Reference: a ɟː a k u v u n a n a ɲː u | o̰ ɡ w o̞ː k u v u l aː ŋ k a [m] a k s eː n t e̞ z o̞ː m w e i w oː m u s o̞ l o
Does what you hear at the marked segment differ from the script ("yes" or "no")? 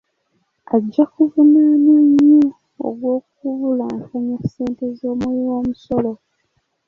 yes